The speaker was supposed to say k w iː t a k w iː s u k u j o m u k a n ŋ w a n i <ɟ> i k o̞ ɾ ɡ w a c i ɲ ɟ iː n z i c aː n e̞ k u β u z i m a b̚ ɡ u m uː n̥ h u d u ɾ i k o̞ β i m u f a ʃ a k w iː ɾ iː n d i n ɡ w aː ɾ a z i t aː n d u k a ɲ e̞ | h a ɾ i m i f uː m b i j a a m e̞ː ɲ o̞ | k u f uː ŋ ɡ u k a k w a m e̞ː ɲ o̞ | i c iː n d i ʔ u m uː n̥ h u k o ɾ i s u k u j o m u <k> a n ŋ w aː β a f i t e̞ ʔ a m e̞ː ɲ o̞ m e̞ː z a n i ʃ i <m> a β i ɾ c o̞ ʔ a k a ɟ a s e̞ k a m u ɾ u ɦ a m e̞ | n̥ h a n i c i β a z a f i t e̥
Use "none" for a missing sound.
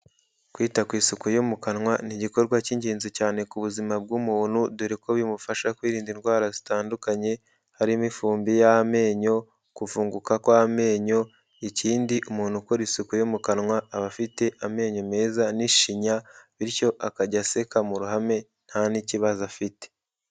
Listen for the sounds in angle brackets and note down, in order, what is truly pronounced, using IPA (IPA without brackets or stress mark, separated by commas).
ɟ, k, ɲ